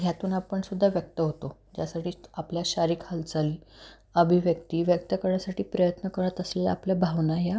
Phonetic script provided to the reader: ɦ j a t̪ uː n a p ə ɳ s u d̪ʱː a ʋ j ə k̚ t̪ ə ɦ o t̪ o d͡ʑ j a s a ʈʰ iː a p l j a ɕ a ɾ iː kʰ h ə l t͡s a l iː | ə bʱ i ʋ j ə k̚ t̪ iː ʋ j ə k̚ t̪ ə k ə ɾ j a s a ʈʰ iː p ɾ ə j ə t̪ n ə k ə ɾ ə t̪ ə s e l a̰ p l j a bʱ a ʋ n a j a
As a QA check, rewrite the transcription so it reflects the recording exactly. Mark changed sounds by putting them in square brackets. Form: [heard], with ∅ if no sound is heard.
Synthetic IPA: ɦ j a t̪ uː n a p ə ɳ s u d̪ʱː a ʋ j ə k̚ t̪ ə ɦ o t̪ o d͡ʑ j a s a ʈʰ iː a p l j a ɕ a ɾ iː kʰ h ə l t͡s a l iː | ə bʱ i ʋ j ə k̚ t̪ iː ʋ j ə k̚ t̪ ə k ə ɾ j a s a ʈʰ iː p ɾ ə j ə t̪ n ə k ə ɾ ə t̪ ə s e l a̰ p l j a bʱ a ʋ n a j a